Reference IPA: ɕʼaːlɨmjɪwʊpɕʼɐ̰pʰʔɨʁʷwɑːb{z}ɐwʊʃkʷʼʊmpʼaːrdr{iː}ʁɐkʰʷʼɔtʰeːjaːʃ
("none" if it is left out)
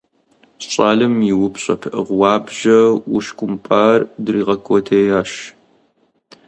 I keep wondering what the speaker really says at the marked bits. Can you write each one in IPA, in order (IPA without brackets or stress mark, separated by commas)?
ʒ, iː